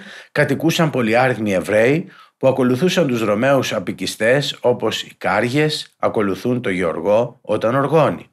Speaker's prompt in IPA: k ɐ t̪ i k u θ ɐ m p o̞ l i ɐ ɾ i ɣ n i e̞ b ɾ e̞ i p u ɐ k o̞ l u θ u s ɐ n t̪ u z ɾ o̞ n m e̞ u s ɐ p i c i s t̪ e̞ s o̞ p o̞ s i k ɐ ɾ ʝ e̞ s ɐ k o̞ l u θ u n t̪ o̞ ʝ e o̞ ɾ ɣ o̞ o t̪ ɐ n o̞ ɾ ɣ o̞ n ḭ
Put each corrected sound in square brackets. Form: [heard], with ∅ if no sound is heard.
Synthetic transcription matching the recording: k ɐ t̪ i k u [s] ɐ m p o̞ l i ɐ ɾ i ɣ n i e̞ [v] ɾ e̞ i p u ɐ k o̞ l u θ u s ɐ n t̪ u z ɾ o̞ [∅] m e̞ u s ɐ p i c i s t̪ e̞ s o̞ p o̞ s i k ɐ ɾ ʝ e̞ s ɐ k o̞ l u θ u n t̪ o̞ ʝ e o̞ ɾ ɣ o̞ o t̪ ɐ n o̞ ɾ ɣ o̞ n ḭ